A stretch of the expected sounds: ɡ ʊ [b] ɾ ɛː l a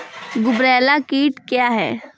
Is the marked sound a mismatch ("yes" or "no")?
no